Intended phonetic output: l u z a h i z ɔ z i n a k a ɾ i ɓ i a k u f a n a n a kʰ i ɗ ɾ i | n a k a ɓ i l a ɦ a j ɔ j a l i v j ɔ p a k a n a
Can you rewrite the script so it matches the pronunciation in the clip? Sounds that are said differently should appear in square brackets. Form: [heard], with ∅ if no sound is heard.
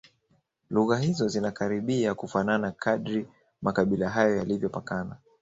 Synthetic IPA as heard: l u [ɣ] a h i z ɔ z i n a k a ɾ i ɓ i a k u f a n a n a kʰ [a] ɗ ɾ i | [m] a k a ɓ i l a ɦ a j ɔ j a l i v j ɔ p a k a n a